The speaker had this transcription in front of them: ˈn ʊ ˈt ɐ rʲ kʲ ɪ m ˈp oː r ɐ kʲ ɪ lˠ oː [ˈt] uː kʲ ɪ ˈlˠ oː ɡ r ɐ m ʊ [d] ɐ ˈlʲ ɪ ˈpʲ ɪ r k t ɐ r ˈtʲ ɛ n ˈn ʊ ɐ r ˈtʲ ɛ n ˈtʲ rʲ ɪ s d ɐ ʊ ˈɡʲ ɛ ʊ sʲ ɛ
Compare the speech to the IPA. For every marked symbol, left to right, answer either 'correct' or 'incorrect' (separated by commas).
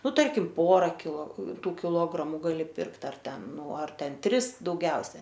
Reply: correct, incorrect